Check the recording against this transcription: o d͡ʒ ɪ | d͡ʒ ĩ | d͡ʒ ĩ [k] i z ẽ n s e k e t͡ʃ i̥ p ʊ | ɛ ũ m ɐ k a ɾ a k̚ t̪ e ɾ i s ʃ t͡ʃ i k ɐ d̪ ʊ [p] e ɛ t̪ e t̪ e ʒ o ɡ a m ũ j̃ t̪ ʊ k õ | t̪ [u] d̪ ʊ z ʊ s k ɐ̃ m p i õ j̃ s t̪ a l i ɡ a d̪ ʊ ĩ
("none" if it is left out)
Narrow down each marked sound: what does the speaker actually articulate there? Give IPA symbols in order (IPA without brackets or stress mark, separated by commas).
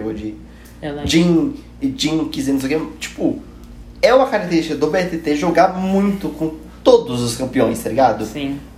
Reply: k, b, o